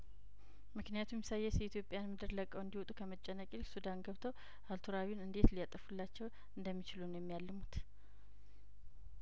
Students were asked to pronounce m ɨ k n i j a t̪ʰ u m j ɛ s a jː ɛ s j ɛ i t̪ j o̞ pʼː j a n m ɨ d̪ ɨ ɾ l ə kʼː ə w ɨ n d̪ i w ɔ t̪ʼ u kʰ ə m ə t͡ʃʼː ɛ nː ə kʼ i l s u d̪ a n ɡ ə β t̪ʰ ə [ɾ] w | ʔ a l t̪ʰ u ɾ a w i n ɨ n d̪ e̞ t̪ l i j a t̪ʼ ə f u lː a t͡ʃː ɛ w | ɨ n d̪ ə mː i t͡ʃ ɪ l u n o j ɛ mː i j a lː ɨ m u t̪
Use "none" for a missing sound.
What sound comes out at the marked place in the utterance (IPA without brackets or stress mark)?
none